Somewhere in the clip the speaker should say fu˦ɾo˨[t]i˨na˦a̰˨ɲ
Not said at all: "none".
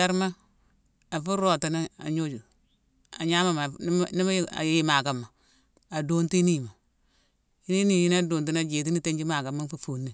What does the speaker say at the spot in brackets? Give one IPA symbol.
t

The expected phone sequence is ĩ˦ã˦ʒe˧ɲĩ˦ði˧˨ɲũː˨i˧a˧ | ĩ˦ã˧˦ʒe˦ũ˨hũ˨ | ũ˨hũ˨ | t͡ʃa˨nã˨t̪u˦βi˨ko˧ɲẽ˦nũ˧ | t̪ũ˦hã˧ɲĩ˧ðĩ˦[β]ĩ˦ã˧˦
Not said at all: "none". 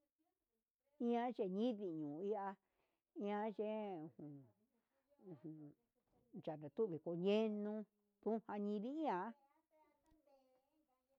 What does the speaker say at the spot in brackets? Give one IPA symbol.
none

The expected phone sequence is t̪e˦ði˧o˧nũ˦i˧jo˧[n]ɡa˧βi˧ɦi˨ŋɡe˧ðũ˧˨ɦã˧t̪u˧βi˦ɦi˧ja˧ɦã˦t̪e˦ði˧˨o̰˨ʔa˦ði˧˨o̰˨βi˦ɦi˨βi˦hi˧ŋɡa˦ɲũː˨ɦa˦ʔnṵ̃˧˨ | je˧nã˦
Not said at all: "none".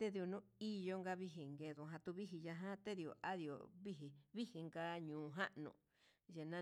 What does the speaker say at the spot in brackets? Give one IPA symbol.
ŋ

